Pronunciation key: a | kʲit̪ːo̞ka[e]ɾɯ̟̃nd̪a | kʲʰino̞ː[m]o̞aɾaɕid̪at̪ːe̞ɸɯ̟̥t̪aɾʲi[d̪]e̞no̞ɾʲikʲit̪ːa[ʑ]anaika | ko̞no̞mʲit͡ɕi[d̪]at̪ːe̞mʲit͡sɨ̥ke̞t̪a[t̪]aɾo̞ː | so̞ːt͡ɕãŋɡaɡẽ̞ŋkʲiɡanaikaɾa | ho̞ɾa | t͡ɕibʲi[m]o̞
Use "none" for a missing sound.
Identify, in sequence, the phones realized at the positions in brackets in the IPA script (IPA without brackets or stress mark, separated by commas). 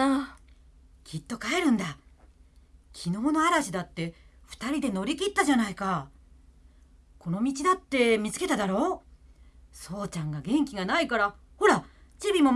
e, n, d̪, ʑ, d̪, d̪, m